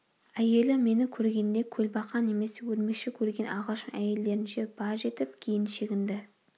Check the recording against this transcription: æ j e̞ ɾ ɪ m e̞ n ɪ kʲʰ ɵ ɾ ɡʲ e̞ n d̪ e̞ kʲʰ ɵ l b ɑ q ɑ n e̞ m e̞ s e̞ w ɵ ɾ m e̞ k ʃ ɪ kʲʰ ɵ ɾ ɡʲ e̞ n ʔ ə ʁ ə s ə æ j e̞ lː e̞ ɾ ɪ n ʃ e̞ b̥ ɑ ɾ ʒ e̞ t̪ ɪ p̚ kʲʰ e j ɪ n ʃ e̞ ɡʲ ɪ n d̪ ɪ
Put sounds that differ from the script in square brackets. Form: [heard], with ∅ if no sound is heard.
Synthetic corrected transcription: æ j e̞ [l] ɪ m e̞ n ɪ kʲʰ ɵ ɾ ɡʲ e̞ n d̪ e̞ kʲʰ ɵ l b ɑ q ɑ n e̞ m e̞ s e̞ w ɵ ɾ m e̞ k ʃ ɪ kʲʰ ɵ ɾ ɡʲ e̞ n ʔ [ɑ] ʁ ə [ʃ] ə æ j e̞ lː e̞ ɾ ɪ n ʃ e̞ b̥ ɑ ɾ ʒ e̞ t̪ ɪ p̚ kʲʰ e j ɪ n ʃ e̞ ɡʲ ɪ n d̪ ɪ